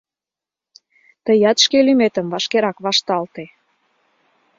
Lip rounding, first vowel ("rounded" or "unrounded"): unrounded